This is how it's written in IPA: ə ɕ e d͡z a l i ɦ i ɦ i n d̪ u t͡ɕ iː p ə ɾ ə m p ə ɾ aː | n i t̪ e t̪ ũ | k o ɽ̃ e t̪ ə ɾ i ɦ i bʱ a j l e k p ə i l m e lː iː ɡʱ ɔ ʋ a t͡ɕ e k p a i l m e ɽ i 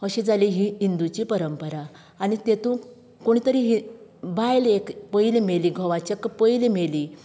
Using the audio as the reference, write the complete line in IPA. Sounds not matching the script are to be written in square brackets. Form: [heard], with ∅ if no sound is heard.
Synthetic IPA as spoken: ə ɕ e d͡z a l i ɦ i ɦ i n d̪ u t͡ɕ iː p ə ɾ ə m p ə ɾ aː | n i t̪ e t̪ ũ | k o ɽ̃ [i] t̪ ə ɾ i ɦ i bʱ a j l e k p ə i l m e [l] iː ɡʱ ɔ ʋ a t͡ɕ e k p [ə] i l m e [l] i